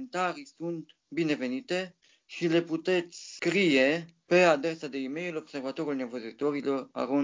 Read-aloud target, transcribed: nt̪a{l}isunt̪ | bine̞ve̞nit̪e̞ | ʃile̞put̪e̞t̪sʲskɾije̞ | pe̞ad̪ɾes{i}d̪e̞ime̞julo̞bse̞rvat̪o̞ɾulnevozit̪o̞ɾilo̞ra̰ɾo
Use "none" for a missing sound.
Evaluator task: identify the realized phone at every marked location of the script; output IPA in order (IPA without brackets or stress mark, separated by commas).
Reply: ɾ, a